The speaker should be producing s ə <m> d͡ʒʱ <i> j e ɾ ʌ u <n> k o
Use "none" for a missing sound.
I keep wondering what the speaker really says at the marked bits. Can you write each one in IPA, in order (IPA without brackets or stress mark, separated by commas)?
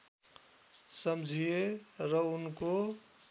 m, i, n